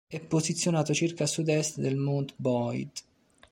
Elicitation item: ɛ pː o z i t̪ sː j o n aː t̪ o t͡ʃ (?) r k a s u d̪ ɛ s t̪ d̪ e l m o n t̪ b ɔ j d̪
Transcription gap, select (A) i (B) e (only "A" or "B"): A